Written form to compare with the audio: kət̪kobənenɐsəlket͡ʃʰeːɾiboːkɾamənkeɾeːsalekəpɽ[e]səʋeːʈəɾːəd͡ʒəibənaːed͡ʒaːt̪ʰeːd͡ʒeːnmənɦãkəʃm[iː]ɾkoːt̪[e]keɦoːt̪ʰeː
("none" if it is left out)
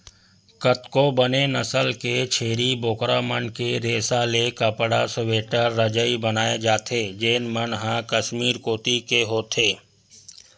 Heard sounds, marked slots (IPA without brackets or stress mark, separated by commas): a, iː, i